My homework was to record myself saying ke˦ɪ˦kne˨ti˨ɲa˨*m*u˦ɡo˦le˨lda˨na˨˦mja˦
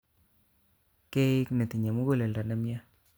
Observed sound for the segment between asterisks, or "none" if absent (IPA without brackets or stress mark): m